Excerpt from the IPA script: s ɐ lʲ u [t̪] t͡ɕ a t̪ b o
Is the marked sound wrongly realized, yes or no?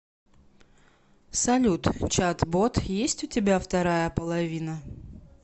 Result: no